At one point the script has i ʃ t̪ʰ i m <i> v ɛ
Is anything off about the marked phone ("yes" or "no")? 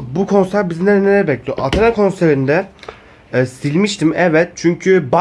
yes